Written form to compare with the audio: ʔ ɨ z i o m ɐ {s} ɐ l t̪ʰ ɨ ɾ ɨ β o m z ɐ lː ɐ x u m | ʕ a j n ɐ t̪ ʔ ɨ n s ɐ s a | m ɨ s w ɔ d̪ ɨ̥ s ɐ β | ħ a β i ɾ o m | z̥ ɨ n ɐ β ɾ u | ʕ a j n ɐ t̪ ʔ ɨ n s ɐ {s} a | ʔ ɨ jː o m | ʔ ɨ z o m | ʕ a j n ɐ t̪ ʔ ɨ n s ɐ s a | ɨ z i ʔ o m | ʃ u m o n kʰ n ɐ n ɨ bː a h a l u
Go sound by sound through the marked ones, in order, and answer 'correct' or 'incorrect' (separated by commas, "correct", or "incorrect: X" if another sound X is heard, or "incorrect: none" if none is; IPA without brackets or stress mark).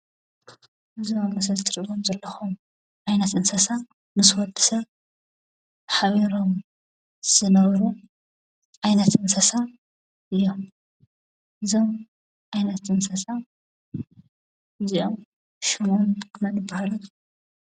correct, correct